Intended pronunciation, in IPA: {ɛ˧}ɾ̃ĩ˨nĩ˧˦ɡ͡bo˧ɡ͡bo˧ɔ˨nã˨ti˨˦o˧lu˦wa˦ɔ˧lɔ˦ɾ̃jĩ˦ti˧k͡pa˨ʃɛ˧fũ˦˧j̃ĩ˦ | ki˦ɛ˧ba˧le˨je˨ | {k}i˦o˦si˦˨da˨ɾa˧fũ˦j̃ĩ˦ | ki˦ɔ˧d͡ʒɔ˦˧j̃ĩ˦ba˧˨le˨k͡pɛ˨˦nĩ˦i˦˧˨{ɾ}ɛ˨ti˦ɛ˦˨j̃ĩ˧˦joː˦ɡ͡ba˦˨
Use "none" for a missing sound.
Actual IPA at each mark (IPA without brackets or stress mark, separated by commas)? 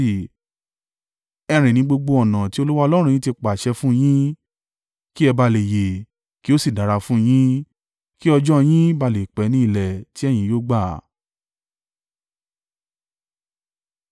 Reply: ɛ˧, k, l